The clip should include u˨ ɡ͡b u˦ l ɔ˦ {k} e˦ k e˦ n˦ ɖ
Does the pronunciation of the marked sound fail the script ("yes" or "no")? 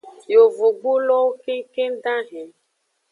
no